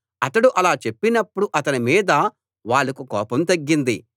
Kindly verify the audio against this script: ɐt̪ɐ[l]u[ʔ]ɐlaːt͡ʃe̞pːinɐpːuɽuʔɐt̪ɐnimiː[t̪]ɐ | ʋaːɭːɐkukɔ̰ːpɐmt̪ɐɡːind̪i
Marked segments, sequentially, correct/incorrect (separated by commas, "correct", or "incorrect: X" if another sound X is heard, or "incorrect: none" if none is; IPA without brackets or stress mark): incorrect: ɽ, correct, incorrect: d̪